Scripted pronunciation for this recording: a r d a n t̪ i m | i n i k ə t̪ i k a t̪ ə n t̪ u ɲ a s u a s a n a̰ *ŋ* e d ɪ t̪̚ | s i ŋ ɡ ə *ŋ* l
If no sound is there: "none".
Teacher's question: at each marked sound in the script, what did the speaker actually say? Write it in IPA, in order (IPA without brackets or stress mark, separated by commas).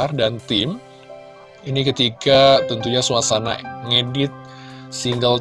ŋ, none